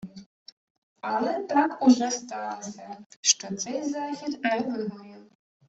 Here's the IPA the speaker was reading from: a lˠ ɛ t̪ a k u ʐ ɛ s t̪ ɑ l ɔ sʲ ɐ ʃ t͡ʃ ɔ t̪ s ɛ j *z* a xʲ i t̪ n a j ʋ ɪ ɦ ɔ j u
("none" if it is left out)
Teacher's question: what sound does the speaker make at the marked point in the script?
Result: z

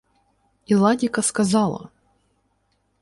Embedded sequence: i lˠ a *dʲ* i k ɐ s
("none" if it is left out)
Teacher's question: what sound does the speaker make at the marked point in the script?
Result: dʲ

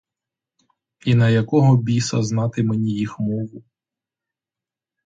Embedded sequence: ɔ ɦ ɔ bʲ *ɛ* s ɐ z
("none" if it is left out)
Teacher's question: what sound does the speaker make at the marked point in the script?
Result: i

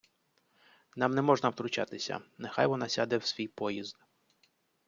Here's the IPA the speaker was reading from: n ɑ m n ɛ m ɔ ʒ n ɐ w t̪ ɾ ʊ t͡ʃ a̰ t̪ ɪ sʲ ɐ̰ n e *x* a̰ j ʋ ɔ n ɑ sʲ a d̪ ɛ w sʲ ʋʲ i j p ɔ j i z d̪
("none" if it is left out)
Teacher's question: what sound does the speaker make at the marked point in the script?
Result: x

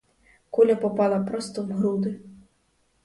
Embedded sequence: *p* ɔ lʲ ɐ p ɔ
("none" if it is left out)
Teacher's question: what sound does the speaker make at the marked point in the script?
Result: k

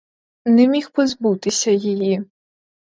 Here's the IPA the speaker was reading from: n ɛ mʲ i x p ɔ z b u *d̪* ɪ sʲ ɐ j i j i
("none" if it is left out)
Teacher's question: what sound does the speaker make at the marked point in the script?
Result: t̪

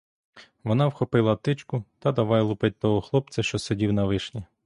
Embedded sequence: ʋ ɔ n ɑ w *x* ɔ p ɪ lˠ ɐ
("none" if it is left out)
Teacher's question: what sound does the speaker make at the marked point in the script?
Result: x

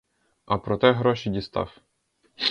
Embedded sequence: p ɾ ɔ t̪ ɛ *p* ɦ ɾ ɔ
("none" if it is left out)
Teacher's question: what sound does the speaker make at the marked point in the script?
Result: none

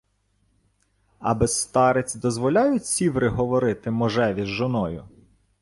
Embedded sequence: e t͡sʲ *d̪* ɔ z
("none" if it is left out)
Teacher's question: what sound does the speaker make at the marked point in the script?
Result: d̪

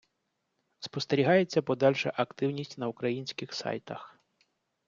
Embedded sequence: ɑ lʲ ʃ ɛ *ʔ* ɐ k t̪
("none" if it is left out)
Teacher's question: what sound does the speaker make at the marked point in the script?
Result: ʔ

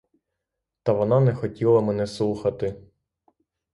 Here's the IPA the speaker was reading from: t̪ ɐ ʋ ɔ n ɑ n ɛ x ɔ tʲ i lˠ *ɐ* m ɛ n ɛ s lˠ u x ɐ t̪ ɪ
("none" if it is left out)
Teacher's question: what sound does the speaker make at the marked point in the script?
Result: ɐ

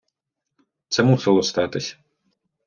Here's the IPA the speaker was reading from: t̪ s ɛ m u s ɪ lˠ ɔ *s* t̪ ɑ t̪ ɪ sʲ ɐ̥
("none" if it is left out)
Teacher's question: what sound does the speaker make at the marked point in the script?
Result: s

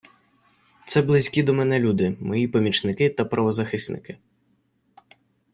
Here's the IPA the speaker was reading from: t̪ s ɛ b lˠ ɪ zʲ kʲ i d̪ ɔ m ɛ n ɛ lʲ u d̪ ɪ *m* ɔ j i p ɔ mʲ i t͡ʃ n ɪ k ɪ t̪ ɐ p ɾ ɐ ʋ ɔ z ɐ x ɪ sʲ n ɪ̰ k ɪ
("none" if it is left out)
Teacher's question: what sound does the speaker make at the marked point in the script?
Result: m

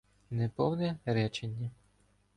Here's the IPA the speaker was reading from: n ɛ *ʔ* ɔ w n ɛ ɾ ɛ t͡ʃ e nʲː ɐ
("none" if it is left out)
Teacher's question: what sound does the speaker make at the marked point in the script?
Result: p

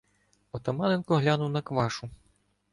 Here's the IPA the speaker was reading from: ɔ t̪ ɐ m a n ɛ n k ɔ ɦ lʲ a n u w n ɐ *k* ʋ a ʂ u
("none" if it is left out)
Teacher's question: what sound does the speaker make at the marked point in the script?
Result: k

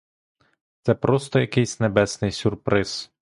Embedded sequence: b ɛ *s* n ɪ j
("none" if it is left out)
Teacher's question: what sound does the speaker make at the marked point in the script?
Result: s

